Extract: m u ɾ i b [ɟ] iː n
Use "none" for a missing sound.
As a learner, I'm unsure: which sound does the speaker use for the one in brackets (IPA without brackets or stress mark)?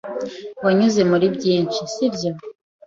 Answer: ɟ